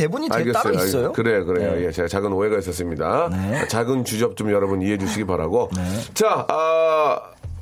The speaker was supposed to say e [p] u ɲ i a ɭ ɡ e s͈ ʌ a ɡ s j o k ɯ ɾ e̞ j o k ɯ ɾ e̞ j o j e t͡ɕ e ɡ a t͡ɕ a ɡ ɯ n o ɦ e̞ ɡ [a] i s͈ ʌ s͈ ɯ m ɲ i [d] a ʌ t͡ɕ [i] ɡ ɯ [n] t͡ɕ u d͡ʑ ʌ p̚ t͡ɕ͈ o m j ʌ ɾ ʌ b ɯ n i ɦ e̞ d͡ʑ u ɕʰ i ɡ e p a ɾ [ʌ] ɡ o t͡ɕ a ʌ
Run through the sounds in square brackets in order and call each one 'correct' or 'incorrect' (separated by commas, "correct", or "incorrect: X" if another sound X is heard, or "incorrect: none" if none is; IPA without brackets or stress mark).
incorrect: b, correct, correct, incorrect: a, correct, incorrect: a